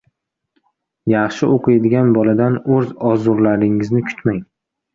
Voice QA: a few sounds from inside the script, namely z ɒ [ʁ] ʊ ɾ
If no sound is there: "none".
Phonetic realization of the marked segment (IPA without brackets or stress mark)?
z